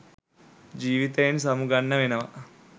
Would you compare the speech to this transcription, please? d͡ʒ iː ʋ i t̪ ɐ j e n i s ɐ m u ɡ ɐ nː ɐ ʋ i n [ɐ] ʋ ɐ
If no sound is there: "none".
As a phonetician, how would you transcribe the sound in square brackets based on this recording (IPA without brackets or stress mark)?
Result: ɐ